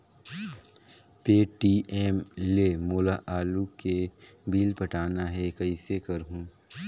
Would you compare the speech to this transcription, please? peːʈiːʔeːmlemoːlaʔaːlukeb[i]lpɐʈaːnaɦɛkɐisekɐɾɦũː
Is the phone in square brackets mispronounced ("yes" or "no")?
yes